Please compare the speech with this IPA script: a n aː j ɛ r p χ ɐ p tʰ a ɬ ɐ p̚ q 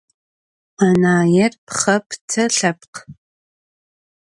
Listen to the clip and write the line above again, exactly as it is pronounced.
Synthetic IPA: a n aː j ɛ r p χ ɐ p tʰ ɐ ɬ ɐ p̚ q